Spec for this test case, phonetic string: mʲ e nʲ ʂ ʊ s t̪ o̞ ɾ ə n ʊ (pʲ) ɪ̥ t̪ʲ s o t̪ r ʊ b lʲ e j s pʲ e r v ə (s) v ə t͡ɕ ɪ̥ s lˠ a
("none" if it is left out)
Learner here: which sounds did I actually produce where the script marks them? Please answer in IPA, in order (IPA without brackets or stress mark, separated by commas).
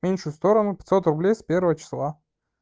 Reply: pʲ, none